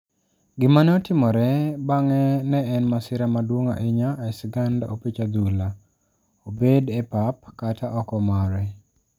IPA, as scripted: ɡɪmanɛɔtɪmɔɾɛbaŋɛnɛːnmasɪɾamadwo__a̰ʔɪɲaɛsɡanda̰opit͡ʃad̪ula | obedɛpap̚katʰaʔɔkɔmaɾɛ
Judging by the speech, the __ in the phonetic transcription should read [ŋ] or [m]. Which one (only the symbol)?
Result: ŋ